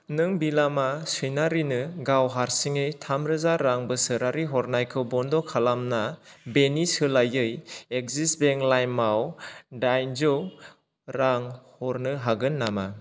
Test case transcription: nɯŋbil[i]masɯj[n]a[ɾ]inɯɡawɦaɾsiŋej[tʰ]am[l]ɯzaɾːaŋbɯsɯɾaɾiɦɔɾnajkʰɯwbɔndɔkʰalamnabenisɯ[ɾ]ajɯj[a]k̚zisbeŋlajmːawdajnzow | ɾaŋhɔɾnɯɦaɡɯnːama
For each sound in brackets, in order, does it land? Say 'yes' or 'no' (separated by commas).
no, yes, yes, yes, no, no, no